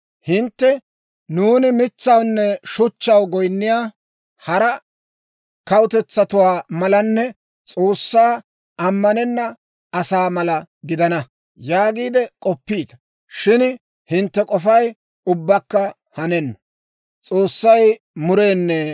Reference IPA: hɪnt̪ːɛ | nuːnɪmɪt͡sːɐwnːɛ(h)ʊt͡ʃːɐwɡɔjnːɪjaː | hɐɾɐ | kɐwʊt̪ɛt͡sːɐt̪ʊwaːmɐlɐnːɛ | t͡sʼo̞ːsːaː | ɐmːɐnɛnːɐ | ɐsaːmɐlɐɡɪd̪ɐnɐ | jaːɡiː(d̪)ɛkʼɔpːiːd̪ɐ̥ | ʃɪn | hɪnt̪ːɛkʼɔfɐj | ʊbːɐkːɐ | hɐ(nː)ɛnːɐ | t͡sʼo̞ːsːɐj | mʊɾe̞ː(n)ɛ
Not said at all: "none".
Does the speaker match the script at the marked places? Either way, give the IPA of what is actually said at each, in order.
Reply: ʃ, d̪, n, nː

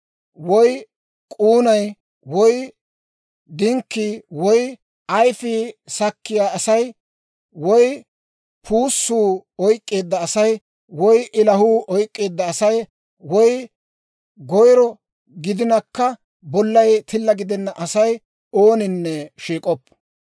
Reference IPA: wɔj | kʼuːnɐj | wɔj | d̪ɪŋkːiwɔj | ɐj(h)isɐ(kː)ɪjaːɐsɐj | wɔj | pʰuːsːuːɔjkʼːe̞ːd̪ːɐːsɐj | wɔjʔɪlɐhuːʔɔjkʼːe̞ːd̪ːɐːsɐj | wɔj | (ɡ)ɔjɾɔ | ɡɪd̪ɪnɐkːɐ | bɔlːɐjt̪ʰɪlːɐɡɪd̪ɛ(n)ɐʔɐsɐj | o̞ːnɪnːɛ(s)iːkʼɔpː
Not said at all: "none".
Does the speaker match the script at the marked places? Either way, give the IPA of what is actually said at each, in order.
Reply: f, kː, ɡ, nː, ʃ

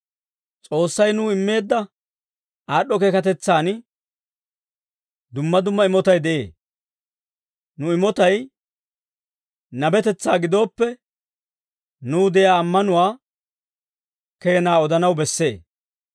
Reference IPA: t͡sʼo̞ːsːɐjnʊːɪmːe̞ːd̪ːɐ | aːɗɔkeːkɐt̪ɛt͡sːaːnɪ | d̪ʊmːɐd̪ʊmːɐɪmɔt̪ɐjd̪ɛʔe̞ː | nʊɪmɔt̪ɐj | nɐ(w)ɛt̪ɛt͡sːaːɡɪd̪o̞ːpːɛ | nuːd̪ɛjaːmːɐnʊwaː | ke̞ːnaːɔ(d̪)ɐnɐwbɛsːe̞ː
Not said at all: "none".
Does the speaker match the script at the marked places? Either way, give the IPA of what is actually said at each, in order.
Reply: b, d̪

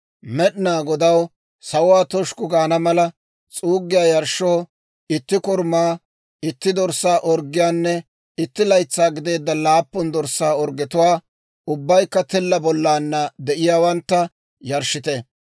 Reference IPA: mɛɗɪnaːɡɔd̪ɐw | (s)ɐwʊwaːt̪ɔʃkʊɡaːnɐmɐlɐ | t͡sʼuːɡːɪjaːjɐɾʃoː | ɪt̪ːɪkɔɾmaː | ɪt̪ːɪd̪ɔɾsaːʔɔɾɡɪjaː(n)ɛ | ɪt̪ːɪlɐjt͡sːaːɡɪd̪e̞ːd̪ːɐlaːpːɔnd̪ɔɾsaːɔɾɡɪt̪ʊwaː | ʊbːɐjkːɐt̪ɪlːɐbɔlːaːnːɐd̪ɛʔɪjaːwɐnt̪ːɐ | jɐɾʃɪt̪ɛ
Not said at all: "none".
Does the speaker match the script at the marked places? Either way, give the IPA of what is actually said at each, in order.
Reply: s, nː

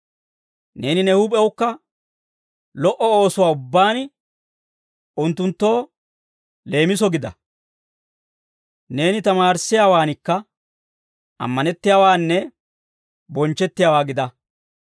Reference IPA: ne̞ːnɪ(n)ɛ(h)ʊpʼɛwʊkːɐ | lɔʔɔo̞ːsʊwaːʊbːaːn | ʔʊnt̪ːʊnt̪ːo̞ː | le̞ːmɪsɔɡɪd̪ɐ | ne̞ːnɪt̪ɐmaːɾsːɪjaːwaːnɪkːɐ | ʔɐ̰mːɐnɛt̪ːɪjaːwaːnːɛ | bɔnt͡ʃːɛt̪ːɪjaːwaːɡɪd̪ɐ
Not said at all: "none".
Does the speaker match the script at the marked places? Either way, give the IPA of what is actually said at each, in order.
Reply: n, h

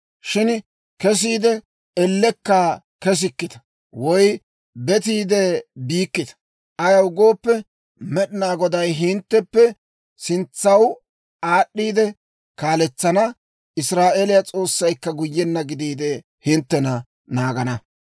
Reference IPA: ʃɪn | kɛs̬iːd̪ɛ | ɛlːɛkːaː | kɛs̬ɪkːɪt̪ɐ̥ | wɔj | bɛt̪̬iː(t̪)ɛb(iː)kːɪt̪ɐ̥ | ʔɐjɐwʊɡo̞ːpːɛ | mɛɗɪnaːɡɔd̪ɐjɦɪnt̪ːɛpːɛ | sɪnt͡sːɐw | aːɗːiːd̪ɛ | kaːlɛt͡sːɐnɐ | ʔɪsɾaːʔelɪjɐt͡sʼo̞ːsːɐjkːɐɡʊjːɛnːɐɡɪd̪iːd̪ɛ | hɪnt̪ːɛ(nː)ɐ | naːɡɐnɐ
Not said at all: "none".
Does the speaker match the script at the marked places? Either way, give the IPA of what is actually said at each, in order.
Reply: d̪, iː, n

